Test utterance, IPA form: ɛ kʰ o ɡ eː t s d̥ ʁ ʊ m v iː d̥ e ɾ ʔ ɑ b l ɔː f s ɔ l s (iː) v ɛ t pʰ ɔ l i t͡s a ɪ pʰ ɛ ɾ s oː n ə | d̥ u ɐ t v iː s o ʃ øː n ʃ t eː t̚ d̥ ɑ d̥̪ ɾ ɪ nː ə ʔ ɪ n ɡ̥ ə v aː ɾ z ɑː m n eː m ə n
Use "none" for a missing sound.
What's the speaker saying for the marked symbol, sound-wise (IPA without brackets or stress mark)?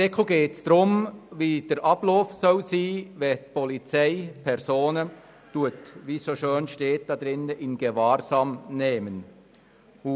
iː